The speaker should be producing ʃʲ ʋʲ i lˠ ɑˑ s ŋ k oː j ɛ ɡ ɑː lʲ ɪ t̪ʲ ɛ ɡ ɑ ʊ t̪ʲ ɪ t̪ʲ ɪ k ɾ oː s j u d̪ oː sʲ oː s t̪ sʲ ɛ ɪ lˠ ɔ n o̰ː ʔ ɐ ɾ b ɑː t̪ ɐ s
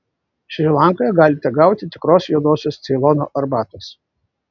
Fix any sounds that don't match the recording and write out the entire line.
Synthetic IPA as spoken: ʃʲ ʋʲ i lˠ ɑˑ ŋ k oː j ɛ ɡ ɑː lʲ ɪ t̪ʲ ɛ ɡ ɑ ʊ t̪ʲ ɪ t̪ʲ ɪ k ɾ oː s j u d̪ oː sʲ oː s t̪ sʲ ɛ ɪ lˠ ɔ n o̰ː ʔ ɐ ɾ b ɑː t̪ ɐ s